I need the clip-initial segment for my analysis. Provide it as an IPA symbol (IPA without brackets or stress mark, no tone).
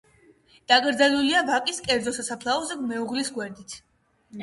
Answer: d̪̥